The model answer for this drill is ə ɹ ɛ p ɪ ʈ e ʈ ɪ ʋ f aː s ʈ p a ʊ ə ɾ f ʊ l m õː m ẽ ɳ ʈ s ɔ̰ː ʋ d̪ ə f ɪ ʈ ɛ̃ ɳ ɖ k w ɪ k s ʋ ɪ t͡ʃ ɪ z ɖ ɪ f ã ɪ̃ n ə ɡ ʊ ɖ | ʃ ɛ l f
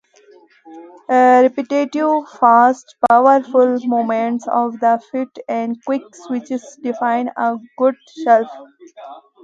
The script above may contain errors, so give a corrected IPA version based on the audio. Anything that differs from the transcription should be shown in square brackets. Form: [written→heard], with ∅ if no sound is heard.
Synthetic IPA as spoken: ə [ɹ→ɾ] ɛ p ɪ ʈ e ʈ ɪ ʋ f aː s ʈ p a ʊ ə ɾ f ʊ l m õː m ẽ ɳ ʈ s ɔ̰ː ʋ d̪ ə f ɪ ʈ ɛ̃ ɳ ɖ k w ɪ k s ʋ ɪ t͡ʃ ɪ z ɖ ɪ f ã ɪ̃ n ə ɡ ʊ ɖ | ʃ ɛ l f